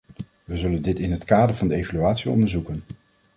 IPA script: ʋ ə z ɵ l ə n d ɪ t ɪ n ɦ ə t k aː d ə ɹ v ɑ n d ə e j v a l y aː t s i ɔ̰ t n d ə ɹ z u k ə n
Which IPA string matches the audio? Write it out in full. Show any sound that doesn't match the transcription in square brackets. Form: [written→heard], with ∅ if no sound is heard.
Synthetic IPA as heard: ʋ ə z ɵ l ə n d ɪ t ɪ n ɦ ə t k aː d ə ɹ v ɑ n d ə e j v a l y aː t s i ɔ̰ [t→∅] n d ə ɹ z u k ə n